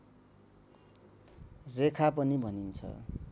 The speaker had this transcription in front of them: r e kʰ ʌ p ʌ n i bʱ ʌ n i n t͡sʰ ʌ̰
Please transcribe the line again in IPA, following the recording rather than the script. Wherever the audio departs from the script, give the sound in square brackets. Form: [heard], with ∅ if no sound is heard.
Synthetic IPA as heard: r e kʰ [a] p ʌ n i bʱ ʌ n i n t͡sʰ ʌ̰